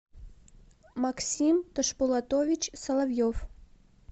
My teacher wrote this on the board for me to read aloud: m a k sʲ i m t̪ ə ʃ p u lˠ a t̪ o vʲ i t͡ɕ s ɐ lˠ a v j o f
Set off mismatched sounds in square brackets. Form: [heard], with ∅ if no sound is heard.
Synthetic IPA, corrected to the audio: m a k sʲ i m t̪ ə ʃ p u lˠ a t̪ o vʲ i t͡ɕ s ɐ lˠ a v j o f